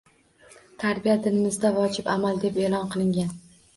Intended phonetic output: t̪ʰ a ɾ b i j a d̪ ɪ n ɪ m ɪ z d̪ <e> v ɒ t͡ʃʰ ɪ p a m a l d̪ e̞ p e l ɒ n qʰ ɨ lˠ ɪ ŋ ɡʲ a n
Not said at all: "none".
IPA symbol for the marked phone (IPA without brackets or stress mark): a